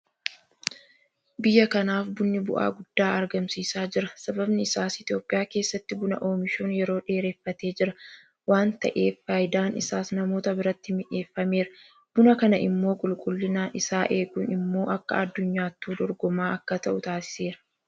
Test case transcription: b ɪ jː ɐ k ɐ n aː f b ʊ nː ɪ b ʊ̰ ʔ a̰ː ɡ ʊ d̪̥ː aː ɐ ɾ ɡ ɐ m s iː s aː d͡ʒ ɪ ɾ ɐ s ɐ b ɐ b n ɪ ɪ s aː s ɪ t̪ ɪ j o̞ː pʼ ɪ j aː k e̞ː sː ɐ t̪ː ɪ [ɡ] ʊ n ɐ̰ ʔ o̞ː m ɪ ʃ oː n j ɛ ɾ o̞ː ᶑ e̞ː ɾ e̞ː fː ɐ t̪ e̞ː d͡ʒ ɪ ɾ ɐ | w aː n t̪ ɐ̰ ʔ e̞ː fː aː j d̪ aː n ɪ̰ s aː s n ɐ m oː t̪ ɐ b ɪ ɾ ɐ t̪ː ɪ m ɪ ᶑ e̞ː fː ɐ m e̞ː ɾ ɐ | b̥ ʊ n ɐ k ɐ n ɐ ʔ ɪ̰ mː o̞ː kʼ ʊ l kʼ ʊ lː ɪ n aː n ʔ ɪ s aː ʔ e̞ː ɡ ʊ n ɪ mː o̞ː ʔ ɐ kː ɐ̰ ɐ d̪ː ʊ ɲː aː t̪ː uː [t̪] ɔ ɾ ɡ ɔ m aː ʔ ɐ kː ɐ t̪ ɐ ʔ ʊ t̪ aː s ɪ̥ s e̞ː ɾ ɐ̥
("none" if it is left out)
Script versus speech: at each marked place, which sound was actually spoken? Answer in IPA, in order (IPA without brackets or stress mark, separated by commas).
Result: b, d̪